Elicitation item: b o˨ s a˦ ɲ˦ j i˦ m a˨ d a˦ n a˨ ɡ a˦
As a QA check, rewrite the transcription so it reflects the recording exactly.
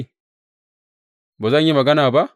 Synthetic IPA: b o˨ z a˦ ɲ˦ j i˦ m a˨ ɡ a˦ n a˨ b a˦